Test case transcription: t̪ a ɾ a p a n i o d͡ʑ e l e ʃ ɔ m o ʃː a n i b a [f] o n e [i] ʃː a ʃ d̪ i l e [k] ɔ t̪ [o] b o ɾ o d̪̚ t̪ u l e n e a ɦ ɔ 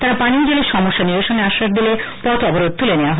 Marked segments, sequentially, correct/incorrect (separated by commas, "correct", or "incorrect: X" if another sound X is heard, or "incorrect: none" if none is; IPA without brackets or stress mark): incorrect: ʃ, incorrect: a, incorrect: p, incorrect: ɔ